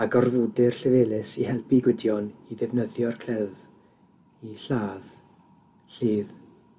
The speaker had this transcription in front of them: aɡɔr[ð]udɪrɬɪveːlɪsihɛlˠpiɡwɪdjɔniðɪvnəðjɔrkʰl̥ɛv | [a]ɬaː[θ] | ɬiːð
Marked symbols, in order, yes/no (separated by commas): yes, no, no